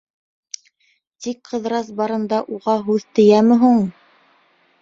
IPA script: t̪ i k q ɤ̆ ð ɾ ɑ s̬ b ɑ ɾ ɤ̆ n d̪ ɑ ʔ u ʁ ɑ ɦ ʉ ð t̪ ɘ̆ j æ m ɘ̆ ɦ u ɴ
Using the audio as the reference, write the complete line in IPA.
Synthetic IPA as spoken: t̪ i k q ɤ̆ ð ɾ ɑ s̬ b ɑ ɾ ɤ̆ n d̪ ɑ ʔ u ʁ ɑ ɦ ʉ ð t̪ ɘ̆ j æ m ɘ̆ ɦ u ɴ